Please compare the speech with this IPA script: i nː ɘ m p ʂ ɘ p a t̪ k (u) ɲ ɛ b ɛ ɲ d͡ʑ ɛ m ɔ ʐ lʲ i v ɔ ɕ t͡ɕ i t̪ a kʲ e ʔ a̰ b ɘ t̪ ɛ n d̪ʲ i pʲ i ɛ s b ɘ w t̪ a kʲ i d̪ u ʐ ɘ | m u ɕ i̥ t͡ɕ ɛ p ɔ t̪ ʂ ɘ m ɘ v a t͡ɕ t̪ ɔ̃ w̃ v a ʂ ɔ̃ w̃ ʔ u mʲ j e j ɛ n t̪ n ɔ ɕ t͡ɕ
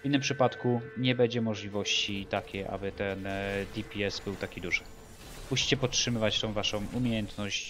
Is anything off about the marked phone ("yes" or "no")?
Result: no